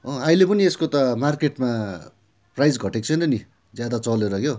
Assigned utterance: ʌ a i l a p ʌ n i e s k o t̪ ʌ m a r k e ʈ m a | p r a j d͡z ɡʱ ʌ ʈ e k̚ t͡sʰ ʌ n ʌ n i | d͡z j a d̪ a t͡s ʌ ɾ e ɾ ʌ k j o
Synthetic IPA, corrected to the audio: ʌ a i l e p ʌ n i e s k o t̪ ʌ m a r k e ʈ m a | p r a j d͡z ɡʱ ʌ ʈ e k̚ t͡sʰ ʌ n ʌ n i | d͡z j a d̪ a t͡s ʌ l e ɾ ʌ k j o

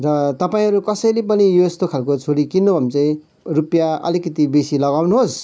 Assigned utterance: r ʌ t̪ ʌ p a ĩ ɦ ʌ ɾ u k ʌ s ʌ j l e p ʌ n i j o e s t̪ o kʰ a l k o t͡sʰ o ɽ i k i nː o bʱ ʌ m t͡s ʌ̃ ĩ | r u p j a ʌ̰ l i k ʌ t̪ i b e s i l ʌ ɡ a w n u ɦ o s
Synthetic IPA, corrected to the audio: r ʌ t̪ ʌ p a ĩ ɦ ʌ ɾ u k ʌ s ʌ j l e p ʌ n i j o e s t̪ o kʰ a l k o t͡sʰ o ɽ i k i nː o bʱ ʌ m t͡s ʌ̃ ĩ | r u p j a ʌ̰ l i k ʌ t̪ i b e s i l ʌ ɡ a w n u ɦ o s

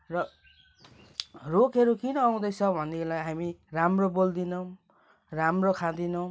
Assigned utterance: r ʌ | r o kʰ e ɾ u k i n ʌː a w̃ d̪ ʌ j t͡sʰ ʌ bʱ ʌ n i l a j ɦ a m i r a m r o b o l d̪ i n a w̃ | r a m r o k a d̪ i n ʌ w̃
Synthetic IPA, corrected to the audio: r ʌ | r o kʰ e ɾ u k i n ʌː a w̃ d̪ ʌ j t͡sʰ ʌ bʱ ʌ n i l a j ɦ a m i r a m r o b o l d̪ i n ʌ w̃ | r a m r o kʰ a d̪ i n ʌ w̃

